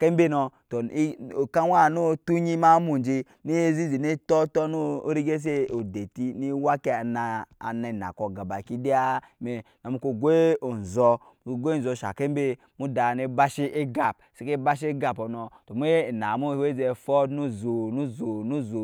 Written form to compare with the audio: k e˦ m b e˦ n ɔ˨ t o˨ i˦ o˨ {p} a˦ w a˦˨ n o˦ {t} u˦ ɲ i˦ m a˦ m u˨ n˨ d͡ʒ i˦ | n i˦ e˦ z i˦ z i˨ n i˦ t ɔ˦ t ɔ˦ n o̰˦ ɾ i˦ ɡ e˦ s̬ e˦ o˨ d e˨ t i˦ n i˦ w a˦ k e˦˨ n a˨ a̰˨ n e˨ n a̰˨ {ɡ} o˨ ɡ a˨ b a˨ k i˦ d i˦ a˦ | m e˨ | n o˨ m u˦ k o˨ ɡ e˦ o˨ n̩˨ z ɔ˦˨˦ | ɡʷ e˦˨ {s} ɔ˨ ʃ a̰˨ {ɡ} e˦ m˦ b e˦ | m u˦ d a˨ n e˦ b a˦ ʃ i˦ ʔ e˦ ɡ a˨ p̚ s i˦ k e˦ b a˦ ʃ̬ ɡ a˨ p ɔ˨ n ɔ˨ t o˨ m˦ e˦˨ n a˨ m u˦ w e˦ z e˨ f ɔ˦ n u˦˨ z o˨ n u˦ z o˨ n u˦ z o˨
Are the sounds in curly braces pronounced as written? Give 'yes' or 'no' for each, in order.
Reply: no, yes, no, no, no

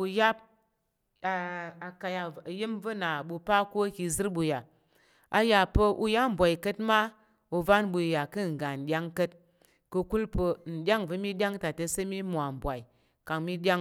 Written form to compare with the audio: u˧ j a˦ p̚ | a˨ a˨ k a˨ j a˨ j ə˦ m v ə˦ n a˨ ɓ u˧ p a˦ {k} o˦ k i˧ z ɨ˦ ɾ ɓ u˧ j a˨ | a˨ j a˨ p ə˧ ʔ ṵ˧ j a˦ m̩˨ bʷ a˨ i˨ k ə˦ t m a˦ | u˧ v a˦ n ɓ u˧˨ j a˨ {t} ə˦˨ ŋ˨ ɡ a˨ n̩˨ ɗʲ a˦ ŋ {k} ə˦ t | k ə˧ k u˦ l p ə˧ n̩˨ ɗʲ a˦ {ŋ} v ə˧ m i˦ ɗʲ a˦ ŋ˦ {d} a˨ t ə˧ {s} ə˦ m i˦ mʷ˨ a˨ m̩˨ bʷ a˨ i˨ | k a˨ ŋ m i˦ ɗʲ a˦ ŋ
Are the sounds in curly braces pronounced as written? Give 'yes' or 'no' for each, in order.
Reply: yes, no, yes, yes, no, yes

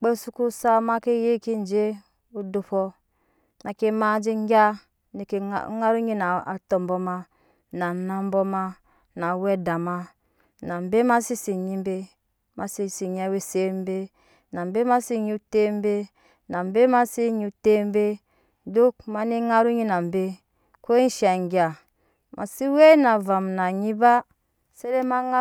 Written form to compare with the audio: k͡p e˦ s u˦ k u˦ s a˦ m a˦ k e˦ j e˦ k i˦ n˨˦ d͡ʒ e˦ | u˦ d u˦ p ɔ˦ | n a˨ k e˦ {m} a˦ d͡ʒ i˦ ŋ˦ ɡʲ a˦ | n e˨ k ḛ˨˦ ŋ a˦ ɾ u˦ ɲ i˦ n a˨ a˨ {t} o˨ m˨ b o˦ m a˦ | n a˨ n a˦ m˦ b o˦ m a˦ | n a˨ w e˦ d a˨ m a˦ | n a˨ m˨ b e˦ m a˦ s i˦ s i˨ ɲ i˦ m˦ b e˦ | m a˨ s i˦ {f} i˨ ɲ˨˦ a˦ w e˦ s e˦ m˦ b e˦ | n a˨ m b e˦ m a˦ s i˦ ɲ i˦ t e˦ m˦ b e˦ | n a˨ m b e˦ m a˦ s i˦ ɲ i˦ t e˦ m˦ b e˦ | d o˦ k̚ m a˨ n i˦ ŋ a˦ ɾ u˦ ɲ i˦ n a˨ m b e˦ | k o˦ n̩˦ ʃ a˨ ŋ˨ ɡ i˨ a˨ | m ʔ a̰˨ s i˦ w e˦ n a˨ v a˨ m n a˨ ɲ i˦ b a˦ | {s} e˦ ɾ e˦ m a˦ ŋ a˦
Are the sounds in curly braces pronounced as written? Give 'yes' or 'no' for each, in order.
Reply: yes, yes, no, yes

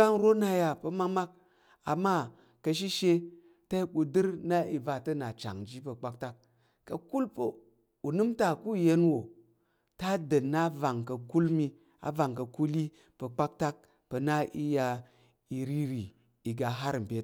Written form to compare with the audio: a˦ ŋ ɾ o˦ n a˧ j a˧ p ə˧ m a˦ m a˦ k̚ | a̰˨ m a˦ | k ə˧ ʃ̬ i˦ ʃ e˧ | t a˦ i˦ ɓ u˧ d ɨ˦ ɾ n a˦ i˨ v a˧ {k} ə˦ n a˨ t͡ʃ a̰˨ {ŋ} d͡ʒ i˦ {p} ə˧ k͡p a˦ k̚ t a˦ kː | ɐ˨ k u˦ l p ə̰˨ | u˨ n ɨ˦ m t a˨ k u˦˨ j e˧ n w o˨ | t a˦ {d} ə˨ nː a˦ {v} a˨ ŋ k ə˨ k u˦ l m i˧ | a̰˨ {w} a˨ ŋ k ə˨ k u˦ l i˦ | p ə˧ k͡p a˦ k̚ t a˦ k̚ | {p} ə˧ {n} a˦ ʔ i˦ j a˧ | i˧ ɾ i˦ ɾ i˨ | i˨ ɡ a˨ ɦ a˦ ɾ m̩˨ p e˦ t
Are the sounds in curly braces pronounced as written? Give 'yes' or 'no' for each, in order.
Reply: no, yes, yes, yes, yes, no, yes, yes

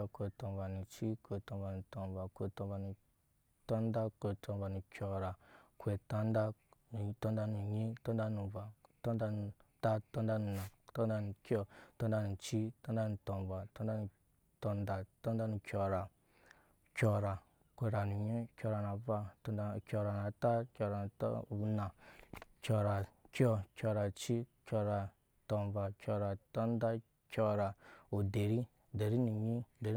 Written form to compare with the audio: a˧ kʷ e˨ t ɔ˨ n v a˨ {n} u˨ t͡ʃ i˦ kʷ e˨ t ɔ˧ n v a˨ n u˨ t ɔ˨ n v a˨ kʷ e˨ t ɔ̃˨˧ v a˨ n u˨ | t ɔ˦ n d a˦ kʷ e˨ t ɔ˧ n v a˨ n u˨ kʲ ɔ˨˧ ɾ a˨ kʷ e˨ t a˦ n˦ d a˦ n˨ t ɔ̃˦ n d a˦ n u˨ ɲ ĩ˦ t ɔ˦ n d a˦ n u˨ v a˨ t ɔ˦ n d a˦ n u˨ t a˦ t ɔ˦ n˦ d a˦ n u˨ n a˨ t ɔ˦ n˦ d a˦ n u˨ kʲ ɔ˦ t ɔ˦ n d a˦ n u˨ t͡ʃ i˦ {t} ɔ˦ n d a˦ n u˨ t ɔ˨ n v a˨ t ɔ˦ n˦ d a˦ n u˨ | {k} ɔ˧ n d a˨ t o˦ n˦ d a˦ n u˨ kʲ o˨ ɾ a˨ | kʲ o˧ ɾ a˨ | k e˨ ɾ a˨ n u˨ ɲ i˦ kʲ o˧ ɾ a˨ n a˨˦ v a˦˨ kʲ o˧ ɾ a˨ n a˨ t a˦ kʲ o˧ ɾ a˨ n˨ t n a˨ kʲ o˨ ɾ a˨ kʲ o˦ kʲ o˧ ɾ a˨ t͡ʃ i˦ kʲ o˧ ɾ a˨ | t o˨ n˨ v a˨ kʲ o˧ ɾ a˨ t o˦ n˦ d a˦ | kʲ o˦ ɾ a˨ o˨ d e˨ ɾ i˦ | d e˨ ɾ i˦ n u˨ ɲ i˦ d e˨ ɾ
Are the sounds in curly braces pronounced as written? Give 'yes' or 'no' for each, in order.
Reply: yes, yes, no

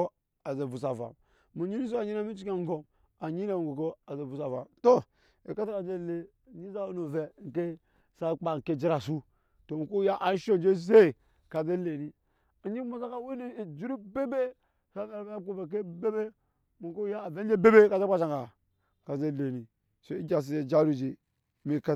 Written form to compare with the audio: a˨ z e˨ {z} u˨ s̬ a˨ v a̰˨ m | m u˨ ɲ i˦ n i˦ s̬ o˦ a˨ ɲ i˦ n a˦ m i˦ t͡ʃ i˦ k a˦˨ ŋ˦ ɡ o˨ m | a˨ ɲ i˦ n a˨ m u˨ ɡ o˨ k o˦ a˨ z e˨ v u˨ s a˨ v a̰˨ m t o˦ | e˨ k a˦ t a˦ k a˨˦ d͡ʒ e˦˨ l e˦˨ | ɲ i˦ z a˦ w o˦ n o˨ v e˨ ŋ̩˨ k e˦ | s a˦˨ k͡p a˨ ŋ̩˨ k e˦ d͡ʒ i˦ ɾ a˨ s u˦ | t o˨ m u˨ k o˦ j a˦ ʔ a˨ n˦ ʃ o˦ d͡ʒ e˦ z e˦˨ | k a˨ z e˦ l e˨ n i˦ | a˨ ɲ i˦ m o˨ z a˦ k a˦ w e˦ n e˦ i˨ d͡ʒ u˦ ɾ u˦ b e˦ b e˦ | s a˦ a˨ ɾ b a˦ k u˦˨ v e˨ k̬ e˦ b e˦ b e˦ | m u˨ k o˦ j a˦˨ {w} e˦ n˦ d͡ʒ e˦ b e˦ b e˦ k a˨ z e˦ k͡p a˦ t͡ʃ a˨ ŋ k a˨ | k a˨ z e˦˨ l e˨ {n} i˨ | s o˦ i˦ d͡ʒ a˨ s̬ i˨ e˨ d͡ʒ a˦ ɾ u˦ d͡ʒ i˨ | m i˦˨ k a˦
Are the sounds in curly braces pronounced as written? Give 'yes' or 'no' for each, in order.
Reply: no, no, yes

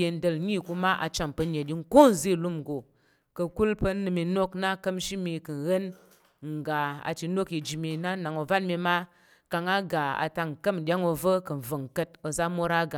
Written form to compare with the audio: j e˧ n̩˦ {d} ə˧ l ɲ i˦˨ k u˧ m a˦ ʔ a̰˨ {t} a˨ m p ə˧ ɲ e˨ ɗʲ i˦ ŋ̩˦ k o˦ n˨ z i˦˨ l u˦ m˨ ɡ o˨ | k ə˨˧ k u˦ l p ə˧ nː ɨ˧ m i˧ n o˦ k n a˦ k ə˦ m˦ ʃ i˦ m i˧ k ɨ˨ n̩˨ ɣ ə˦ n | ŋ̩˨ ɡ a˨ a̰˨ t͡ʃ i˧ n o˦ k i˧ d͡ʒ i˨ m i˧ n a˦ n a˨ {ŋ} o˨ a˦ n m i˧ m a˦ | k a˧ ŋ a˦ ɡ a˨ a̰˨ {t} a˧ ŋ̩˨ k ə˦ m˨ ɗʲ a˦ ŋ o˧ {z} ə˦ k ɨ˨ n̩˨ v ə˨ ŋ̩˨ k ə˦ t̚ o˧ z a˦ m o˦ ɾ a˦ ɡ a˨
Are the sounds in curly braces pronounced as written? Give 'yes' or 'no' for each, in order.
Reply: yes, no, yes, yes, no

